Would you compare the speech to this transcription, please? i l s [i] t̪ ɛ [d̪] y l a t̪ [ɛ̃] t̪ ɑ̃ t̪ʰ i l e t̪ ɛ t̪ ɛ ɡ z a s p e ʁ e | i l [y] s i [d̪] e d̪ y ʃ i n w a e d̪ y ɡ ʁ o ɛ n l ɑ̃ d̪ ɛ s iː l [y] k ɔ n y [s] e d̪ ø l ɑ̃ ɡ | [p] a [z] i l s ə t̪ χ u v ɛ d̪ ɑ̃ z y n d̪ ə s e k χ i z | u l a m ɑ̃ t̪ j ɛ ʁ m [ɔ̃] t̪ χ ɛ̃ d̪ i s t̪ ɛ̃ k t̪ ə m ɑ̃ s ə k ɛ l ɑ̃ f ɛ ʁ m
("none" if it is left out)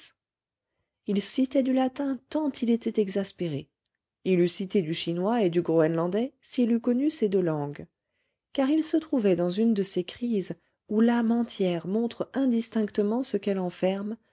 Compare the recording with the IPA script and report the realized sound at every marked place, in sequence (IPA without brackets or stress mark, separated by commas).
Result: i, d̪, ɛ̃, y, t̪, y, s, k, ʁ, ɔ̃